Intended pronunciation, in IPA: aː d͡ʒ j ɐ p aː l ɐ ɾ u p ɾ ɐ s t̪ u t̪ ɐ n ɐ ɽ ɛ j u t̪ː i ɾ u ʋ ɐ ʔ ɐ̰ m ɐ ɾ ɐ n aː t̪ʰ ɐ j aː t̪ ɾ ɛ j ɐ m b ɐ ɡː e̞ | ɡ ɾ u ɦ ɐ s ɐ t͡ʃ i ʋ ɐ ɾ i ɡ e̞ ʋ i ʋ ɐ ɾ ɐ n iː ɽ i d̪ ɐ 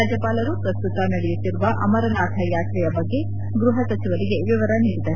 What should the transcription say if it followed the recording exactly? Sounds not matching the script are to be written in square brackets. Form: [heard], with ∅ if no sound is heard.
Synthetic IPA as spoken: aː d͡ʒ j ɐ p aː l ɐ ɾ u p ɾ ɐ s t̪ u t̪ ɐ n ɐ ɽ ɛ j u t̪ː i ɾ u ʋ ɐ ʔ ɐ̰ m ɐ ɾ ɐ n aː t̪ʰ ɐ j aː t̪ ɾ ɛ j ɐ [∅] b ɐ ɡː e̞ | ɡ ɾ u ɦ ɐ s ɐ t͡ʃ i ʋ ɐ ɾ i ɡ e̞ ʋ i ʋ ɐ ɾ ɐ n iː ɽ i d̪ ɐ